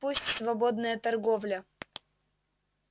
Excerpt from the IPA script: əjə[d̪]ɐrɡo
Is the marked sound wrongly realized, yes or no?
yes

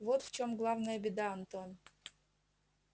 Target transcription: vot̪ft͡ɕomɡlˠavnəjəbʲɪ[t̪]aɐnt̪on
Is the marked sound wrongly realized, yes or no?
yes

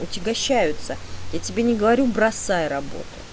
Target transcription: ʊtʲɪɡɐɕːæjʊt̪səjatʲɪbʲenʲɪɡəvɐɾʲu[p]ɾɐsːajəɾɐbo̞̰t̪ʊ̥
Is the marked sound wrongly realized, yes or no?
yes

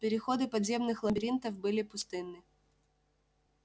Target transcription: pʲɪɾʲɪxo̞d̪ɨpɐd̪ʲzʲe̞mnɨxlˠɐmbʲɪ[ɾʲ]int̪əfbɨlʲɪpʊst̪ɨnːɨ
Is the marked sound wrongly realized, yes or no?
no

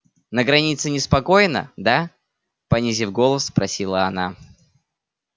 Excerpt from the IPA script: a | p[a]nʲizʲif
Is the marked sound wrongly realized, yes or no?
yes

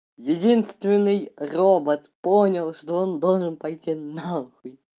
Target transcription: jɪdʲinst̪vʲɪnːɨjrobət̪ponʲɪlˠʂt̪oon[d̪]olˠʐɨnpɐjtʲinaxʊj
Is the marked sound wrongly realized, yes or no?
no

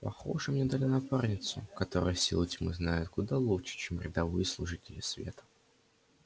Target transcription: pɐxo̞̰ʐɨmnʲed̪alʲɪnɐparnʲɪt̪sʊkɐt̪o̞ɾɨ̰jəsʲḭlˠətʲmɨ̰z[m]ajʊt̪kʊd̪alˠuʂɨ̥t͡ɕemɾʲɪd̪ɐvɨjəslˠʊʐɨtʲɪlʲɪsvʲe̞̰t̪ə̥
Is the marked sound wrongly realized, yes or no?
yes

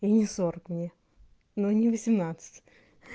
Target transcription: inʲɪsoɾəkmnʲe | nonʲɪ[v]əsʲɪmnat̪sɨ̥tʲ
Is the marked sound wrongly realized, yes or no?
no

